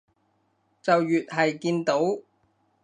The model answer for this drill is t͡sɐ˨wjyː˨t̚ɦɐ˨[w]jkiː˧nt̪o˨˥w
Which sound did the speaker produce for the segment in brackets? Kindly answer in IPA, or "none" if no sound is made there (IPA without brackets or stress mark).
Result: none